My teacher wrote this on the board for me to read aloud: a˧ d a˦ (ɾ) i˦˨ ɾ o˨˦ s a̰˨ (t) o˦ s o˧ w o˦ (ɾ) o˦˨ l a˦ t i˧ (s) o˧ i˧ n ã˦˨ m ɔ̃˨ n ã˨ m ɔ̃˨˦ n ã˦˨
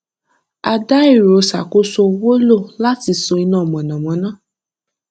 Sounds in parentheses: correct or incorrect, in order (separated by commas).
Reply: incorrect, incorrect, incorrect, correct